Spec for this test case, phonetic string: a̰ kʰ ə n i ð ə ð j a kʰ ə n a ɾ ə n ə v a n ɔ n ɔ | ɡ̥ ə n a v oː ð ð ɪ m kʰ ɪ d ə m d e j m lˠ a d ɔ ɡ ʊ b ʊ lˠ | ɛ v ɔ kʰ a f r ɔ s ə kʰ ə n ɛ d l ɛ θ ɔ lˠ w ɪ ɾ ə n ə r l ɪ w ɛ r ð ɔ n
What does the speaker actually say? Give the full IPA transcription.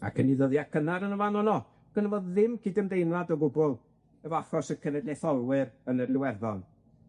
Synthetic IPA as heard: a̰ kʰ ə n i ð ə ð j a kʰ ə n a ɾ ə n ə v a n ɔ n ɔ | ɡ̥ ə n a v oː ð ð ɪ m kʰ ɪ d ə m d e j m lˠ a d ɔ ɡ ʊ b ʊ lˠ | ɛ v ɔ a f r ɔ s ə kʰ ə n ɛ d l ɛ θ ɔ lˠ w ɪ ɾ ə n ə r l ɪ w ɛ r ð ɔ n